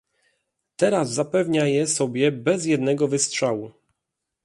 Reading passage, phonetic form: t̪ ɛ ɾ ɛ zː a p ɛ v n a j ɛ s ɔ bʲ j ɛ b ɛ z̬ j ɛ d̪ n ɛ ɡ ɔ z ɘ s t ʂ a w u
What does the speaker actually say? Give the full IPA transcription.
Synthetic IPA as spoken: t̪ ɛ ɾ a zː a p ɛ v ɲ a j ɛ s ɔ bʲ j ɛ b ɛ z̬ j ɛ d̪ n ɛ ɡ ɔ v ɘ s t ʂ a w u